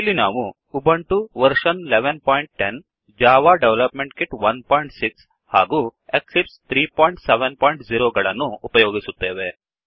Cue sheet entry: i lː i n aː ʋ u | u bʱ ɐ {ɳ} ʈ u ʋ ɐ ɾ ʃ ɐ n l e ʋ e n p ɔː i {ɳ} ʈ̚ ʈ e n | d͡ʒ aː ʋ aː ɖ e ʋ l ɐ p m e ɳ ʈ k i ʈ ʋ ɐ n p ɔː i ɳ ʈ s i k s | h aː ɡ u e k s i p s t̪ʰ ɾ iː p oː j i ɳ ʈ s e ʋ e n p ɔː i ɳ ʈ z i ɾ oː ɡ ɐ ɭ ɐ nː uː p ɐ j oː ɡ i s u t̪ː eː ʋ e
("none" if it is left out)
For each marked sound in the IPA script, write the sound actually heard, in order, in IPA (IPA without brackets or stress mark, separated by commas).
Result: ɳ, ɳ